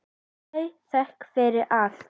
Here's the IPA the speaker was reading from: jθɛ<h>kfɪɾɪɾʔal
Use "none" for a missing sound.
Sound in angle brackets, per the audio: h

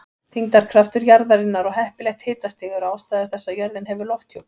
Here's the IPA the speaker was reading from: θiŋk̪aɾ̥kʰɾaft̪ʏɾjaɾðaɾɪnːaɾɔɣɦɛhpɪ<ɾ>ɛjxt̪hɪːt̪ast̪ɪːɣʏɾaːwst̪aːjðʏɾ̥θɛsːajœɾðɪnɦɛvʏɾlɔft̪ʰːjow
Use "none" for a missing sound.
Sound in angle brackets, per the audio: l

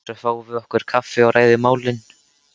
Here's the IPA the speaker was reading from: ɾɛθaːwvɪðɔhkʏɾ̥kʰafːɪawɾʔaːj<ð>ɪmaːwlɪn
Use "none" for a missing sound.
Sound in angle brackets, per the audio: ð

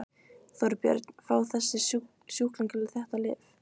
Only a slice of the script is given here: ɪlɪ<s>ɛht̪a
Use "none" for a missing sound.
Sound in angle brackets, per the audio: θ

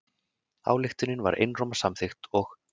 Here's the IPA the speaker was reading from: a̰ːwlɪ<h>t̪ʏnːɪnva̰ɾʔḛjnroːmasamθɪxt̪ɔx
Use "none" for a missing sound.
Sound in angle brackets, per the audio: x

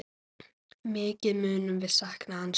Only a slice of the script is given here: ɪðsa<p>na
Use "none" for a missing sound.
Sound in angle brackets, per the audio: k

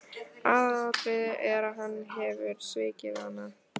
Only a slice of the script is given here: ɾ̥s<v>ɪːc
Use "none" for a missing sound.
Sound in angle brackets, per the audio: v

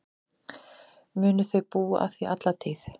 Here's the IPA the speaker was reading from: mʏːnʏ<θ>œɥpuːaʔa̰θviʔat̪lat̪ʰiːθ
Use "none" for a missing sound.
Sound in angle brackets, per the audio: θ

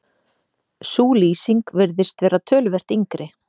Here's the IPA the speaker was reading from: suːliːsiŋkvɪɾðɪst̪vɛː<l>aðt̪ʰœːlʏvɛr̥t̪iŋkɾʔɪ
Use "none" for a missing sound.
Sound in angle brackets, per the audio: ɾ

